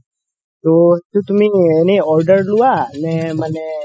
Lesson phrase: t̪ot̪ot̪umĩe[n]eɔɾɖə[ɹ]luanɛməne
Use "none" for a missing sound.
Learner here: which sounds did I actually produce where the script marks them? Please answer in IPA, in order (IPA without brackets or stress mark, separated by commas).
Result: n, ɾ